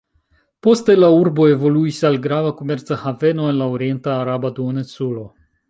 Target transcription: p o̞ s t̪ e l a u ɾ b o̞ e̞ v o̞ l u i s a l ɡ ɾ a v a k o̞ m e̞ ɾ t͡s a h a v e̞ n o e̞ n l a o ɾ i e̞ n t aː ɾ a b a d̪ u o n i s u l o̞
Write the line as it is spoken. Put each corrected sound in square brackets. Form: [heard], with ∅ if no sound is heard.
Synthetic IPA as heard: p o̞ s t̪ e l a u ɾ b o̞ e̞ v o̞ l u i s a l ɡ ɾ a v a k o̞ m e̞ ɾ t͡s a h a v e̞ n o e̞ n l a o ɾ i e̞ n t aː ɾ a b a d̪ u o n [e] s u l o̞